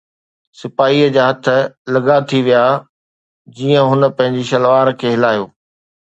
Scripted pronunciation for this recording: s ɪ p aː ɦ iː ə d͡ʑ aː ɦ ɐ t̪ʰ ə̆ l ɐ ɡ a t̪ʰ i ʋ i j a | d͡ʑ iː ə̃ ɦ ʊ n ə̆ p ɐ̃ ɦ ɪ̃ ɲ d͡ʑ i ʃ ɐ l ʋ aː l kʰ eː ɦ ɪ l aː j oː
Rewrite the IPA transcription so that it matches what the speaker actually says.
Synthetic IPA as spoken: s ɪ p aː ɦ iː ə d͡ʑ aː ɦ ɐ t̪ʰ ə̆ l ɐ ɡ a t̪ʰ i ʋ i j a | d͡ʑ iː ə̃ ɦ ʊ n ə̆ p ɐ̃ ɦ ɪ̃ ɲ d͡ʑ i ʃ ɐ l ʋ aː ɾ kʰ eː ɦ ɪ l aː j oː